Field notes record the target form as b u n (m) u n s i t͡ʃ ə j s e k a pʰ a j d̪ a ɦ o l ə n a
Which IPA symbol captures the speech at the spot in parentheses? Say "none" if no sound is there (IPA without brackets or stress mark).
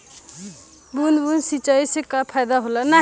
b